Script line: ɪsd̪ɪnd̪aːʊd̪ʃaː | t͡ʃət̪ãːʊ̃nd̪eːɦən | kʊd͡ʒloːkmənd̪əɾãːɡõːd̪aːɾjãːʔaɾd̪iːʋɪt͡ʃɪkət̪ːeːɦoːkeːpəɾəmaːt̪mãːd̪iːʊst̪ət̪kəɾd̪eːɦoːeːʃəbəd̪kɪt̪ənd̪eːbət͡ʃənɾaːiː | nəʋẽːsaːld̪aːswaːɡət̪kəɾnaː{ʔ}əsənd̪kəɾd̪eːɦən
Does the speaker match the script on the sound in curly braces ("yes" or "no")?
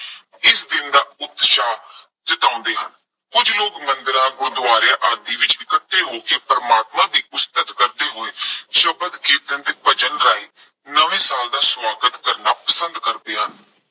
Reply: no